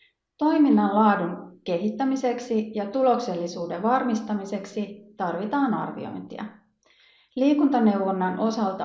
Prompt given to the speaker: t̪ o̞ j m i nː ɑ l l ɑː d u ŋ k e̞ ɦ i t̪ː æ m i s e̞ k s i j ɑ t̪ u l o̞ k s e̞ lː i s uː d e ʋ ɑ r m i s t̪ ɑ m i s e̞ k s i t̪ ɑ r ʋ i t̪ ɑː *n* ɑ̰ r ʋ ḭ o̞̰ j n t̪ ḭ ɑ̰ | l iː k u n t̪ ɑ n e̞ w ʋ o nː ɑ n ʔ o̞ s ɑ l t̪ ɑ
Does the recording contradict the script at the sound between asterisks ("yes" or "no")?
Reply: no